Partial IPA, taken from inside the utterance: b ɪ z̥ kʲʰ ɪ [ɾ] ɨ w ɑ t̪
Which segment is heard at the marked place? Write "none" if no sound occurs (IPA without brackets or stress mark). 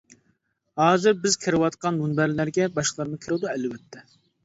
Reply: ɾ